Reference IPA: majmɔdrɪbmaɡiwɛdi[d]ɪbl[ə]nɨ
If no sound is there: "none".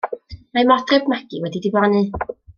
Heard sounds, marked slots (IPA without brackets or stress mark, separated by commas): d, a